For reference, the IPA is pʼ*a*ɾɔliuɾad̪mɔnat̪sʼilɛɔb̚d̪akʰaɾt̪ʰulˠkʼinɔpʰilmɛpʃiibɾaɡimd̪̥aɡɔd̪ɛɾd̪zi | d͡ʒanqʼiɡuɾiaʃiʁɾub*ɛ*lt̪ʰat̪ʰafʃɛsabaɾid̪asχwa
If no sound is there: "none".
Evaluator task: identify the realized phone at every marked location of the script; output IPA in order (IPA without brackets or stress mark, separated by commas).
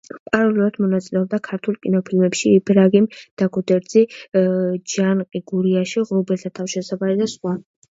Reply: a, ɛ